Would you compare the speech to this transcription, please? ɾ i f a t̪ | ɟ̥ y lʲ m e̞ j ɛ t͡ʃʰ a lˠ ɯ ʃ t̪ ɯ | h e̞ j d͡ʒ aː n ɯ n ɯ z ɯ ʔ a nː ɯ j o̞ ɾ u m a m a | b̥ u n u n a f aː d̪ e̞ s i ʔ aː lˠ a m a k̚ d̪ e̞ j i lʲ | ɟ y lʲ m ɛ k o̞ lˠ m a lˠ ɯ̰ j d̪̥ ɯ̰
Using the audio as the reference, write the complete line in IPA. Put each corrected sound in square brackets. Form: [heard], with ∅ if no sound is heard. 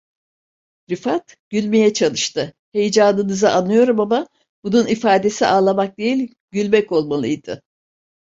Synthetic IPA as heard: ɾ i f a t̪ | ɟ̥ y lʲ m e̞ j ɛ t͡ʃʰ a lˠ ɯ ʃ t̪ ɯ | h e̞ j d͡ʒ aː n ɯ n ɯ z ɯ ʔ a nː ɯ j o̞ ɾ u m a m a | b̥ u n u n [i] f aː d̪ e̞ s i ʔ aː lˠ a m a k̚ d̪ e̞ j i lʲ | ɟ y lʲ m ɛ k o̞ lˠ m a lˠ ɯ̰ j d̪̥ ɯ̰

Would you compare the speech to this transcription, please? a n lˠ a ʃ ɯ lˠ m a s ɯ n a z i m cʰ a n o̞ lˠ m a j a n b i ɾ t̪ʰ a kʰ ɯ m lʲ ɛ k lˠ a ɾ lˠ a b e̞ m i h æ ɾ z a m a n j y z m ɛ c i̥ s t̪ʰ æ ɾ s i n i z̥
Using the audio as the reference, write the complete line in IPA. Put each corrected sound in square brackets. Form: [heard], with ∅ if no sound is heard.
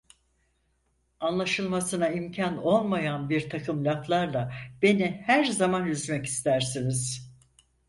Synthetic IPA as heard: a n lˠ a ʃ ɯ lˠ m a s ɯ n a [∅] i m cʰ a n o̞ lˠ m a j a n b i ɾ t̪ʰ a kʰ ɯ m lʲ [a] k lˠ a ɾ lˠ a b e̞ [n] i h æ ɾ z a m a n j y z m ɛ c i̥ s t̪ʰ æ ɾ s i n i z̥

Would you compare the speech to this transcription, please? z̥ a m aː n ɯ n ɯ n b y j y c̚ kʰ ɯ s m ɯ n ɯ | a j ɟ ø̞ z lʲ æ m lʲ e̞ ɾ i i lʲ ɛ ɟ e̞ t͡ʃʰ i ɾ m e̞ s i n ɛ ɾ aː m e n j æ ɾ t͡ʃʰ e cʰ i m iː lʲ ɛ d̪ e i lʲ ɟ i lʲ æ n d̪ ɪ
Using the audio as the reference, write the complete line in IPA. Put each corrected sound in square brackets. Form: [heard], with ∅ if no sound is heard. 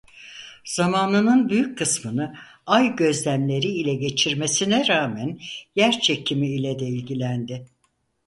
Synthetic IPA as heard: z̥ a m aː n ɯ n ɯ n b y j y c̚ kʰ ɯ s m ɯ n ɯ | a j ɟ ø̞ z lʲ æ m lʲ e̞ ɾ i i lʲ ɛ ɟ e̞ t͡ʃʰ i ɾ m e̞ s i n ɛ ɾ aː m [æ] n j æ ɾ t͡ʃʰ e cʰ i m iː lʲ ɛ d̪ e i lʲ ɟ i lʲ æ n d̪ ɪ

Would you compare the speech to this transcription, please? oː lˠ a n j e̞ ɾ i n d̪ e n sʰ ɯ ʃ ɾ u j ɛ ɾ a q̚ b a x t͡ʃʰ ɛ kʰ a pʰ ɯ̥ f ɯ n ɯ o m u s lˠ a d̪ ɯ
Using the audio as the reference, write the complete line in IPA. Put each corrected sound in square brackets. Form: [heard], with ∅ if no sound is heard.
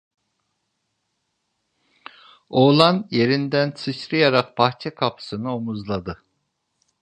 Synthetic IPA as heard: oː lˠ a n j e̞ ɾ i n d̪ [æ] n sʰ ɯ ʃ ɾ [ɯ] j [a] ɾ a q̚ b a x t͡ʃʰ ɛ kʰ a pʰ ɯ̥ [s] ɯ n ɯ o m u [z] lˠ a d̪ ɯ

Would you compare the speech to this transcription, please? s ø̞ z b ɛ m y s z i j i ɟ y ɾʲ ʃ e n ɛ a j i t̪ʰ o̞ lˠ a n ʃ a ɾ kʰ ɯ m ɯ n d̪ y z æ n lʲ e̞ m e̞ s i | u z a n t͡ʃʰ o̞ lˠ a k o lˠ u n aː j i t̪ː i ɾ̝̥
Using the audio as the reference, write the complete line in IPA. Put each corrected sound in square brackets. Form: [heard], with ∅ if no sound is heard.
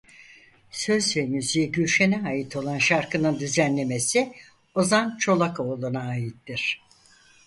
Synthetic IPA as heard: s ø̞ z [v] ɛ m y [∅] z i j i ɟ y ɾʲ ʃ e n ɛ a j i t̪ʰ o̞ lˠ a n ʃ a ɾ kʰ ɯ [n] ɯ n d̪ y z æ n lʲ e̞ m e̞ s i | [o] z a n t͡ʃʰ o̞ lˠ a k o lˠ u n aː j i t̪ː i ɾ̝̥

